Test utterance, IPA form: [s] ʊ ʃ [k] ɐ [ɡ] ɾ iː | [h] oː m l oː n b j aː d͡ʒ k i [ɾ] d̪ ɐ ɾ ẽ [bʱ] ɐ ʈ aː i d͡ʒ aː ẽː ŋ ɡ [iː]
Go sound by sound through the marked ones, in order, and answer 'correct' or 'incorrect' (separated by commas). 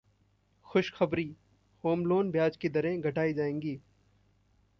incorrect, incorrect, incorrect, correct, incorrect, incorrect, correct